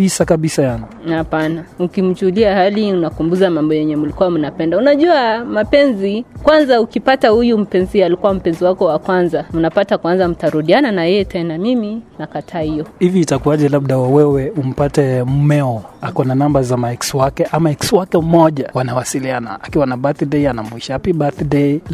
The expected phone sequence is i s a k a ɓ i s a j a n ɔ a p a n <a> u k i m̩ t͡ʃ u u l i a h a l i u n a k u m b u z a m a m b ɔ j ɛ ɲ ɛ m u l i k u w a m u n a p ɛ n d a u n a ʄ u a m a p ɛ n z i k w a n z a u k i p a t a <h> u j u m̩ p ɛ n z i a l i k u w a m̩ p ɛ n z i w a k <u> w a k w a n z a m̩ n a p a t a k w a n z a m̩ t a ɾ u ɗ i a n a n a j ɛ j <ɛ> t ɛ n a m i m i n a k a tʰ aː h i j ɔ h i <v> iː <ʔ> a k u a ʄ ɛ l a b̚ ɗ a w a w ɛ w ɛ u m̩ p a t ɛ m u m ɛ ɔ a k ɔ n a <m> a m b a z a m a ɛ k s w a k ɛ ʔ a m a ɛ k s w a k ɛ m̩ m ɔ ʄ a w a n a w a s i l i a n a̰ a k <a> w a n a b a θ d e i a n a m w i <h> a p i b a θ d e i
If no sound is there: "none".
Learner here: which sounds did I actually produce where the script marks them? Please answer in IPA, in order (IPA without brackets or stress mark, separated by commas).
a, h, ɔ, ɛ, v, t, n, i, ʃ